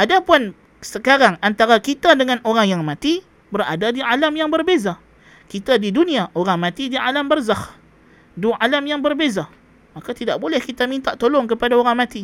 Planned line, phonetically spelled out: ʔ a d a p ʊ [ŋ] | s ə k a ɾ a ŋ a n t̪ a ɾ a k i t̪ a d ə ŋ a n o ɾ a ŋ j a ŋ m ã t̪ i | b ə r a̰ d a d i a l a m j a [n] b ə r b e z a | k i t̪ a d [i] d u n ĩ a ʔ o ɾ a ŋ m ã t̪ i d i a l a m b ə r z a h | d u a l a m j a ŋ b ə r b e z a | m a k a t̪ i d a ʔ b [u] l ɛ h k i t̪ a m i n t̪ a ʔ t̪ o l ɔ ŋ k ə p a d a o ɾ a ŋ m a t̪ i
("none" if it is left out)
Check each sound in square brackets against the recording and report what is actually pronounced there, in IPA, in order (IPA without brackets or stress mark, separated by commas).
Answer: n, ŋ, i, o